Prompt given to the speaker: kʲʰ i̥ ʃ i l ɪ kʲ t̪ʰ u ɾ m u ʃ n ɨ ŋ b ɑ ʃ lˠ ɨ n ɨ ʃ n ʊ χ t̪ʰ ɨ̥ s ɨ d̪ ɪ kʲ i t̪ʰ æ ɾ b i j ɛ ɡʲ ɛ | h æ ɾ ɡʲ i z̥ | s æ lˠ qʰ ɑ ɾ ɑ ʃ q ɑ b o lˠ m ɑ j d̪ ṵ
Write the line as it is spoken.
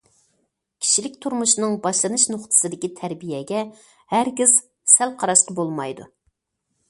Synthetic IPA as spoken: kʲʰ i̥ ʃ i l ɪ kʲ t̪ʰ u ɾ m u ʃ n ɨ ŋ b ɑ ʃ lˠ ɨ n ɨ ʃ n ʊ χ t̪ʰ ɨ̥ s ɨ d̪ ɪ kʲ i t̪ʰ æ ɾ b i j ɛ ɡʲ ɛ | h æ ɾ ɡʲ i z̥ | s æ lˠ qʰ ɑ ɾ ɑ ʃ q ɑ b o lˠ m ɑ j d̪ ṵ

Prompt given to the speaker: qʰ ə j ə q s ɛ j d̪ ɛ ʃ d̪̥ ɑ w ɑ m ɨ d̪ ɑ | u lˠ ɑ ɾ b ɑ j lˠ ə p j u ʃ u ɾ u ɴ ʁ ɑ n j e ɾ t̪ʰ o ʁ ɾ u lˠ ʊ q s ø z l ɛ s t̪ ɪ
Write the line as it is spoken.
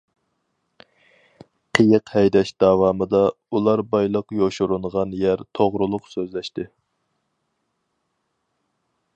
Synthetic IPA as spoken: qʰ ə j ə q h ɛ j d̪ ɛ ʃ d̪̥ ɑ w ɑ m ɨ d̪ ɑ | u lˠ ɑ ɾ b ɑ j lˠ ə q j o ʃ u ɾ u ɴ ʁ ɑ n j æ ɾ t̪ʰ o ʁ ɾ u lˠ ʊ q s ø z l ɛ ʃ t̪ ɪ

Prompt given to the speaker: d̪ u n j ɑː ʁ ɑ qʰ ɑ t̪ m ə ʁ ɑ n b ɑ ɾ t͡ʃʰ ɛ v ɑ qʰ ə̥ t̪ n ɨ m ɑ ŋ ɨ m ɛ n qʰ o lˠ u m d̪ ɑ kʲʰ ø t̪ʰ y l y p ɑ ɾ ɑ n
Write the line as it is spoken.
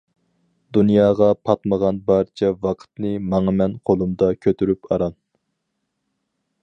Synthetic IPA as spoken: d̪ u n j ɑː ʁ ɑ pʰ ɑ t̪ m ə ʁ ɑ n b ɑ ɾ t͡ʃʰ ɛ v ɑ qʰ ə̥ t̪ n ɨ m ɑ ŋ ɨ m ɛ n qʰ o lˠ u m d̪ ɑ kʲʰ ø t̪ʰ y ɾ y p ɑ ɾ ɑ n

